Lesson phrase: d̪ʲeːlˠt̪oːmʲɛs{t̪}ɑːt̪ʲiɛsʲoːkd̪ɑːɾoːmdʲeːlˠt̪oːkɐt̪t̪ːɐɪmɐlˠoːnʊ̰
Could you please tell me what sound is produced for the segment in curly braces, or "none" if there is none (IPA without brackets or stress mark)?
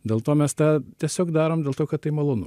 t̪